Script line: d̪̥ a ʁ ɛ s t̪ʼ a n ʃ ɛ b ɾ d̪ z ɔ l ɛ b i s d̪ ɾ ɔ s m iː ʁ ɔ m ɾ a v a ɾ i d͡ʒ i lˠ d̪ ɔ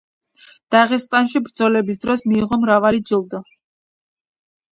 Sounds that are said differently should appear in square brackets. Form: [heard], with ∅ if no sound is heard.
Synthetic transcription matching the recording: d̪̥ a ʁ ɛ s t̪ʼ a n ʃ [i] b ɾ d̪ z ɔ l ɛ b i s d̪ ɾ ɔ s m iː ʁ ɔ m ɾ a v a [l] i d͡ʒ i lˠ d̪ ɔ